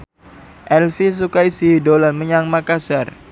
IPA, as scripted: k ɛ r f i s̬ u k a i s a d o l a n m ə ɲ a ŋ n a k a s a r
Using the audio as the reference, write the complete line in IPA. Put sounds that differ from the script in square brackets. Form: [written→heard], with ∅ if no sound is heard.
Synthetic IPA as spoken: [k→ʔ] ɛ [r→l] f i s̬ u k a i s [a→i] d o l a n m ə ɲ a ŋ [n→m] a k a s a r

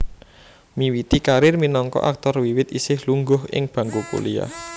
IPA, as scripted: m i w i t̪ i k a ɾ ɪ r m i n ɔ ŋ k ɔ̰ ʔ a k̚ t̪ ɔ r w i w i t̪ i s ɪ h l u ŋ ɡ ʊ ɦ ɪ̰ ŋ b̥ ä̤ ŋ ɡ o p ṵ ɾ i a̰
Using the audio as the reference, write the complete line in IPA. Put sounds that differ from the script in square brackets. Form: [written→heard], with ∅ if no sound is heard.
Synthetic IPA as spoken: m i w i t̪ i k a ɾ ɪ r m i n ɔ ŋ k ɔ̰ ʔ a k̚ t̪ ɔ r w i w [i→ɪ] t̪ i s ɪ h l u ŋ ɡ ʊ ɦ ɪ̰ ŋ b̥ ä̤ ŋ ɡ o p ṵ [ɾ→l] i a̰

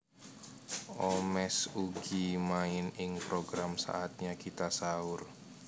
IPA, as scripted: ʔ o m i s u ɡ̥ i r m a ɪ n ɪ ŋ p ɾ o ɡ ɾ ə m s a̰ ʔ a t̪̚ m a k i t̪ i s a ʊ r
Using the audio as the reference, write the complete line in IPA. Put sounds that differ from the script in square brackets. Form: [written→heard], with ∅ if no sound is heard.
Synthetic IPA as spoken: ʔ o m [i→ɛ] s u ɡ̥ i [r→∅] m a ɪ n ɪ ŋ p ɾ o ɡ ɾ [ə→a] m s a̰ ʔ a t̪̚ [m→ɲ] a k i t̪ [i→a] s a ʊ r

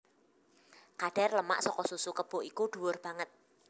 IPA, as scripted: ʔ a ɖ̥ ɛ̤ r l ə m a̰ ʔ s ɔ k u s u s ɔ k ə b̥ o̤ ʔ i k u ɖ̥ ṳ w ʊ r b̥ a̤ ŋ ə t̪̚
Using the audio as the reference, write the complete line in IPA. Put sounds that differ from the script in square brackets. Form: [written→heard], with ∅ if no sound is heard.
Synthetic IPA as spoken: [ʔ→k] a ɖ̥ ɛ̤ r l ə m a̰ ʔ s ɔ k [u→ɔ] s u s [ɔ→u] k ə b̥ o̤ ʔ i k u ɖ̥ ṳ w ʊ r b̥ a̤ ŋ ə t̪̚

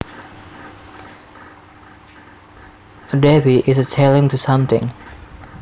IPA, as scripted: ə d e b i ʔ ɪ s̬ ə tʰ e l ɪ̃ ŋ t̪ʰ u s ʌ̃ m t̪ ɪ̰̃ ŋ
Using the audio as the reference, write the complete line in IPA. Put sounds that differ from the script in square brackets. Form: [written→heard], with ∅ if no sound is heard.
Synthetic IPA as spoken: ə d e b i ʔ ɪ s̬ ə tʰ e l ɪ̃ ŋ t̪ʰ u s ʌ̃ m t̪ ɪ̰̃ ŋ

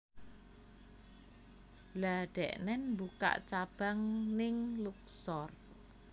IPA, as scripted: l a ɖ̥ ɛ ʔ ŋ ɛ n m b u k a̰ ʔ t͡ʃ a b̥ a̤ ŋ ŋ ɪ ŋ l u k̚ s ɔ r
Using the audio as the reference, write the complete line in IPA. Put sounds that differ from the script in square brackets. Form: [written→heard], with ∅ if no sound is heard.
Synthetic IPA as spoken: l a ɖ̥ ɛ ʔ [ŋ→n] ɛ n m b u k a̰ ʔ t͡ʃ a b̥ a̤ ŋ [ŋ→n] ɪ ŋ l u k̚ s ɔ r

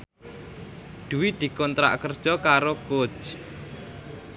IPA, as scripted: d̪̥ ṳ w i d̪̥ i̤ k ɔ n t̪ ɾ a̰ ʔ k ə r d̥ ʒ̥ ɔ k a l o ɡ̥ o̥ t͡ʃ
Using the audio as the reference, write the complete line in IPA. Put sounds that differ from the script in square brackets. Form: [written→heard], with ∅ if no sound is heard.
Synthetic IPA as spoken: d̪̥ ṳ w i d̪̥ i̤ k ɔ n t̪ ɾ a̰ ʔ k ə r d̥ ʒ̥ ɔ k a [l→ɾ] o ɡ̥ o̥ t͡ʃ

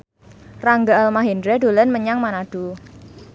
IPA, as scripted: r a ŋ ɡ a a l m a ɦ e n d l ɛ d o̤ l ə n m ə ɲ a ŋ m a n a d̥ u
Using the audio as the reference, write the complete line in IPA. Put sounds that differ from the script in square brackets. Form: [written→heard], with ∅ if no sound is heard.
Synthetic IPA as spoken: r a ŋ ɡ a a l m a ɦ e n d [l→ɾ] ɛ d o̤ l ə n m ə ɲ a ŋ m a n a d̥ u

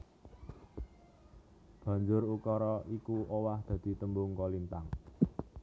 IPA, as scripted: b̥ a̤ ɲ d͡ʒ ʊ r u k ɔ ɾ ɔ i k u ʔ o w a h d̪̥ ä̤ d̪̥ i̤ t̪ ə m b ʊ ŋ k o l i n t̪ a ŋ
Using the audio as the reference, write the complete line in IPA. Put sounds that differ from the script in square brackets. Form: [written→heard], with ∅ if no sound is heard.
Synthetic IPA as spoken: b̥ a̤ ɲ d͡ʒ ʊ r u k ɔ ɾ ɔ i k u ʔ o w a h d̪̥ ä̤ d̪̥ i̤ t̪ ə m b ʊ ŋ k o l i n t̪ a ŋ

